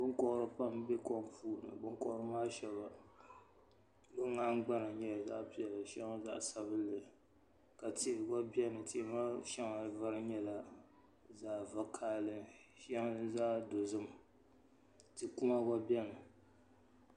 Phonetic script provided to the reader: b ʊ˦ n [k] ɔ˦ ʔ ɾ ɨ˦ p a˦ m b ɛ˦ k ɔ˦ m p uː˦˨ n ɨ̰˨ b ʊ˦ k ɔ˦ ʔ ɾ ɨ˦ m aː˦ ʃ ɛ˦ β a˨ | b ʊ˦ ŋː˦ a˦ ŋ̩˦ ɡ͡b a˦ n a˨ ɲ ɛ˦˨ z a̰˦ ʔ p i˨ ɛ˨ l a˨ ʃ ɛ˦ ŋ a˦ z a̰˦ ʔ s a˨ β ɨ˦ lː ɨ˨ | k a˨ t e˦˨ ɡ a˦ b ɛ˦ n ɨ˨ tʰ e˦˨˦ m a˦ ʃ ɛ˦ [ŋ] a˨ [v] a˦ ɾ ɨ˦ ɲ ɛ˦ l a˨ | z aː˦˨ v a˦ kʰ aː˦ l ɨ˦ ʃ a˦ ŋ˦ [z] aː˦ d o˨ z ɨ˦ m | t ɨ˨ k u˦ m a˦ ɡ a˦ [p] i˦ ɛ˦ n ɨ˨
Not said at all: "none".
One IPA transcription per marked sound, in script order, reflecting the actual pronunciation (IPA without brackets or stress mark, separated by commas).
k, ŋ, v, z, b